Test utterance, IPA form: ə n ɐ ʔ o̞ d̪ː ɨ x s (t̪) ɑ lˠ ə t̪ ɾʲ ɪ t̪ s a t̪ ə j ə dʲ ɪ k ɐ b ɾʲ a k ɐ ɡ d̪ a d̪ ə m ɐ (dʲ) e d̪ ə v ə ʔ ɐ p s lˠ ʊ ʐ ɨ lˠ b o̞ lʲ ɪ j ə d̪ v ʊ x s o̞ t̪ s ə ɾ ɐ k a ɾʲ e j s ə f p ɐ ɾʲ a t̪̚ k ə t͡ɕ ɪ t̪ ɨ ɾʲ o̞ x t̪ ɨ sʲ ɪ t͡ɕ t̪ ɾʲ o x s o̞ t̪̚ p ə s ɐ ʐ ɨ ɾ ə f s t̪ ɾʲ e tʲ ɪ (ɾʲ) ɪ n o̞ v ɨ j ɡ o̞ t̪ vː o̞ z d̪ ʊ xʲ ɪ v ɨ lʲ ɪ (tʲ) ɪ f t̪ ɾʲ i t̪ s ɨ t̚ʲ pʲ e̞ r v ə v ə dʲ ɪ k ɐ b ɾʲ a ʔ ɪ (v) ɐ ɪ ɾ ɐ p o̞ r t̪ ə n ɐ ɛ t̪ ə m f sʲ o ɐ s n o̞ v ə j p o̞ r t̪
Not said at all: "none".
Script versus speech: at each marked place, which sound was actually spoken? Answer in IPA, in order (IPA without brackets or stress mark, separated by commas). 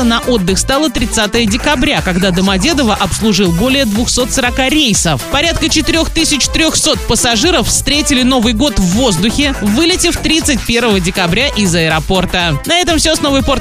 t̪, dʲ, lʲ, tʲ, z